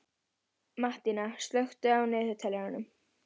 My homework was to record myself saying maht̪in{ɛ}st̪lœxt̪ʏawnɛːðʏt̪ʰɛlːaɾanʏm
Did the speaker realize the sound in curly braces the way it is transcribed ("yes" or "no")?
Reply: no